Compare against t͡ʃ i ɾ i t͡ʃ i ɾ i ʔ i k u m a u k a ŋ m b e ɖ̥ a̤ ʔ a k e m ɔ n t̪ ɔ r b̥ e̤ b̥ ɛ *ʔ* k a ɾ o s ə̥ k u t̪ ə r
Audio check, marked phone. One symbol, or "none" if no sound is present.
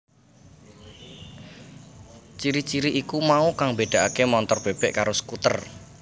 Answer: ʔ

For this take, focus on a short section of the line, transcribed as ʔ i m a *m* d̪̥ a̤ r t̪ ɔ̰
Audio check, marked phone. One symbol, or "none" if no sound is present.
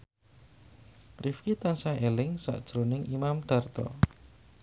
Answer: m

